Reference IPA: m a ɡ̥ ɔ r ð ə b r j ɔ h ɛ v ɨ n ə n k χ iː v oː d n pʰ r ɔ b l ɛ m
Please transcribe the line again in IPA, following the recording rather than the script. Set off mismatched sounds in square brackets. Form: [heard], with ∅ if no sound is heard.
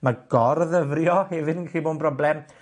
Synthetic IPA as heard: m a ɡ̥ ɔ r ð ə [v] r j ɔ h ɛ v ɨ [d] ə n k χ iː [b] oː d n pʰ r ɔ b l ɛ m